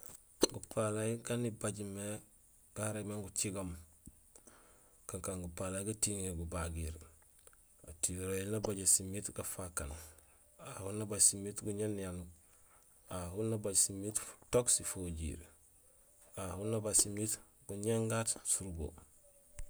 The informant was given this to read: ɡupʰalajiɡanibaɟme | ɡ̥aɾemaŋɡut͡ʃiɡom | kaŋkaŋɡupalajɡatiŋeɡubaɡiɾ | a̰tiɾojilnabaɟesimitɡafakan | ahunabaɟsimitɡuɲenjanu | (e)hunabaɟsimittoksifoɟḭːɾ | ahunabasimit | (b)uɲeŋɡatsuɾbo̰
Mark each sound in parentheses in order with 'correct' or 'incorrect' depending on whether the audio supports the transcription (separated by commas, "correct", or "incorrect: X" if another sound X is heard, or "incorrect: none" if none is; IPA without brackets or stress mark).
incorrect: a, incorrect: ɡ